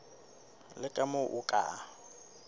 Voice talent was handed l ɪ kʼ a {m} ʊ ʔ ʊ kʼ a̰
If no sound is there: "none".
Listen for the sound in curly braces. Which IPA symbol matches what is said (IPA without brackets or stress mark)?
m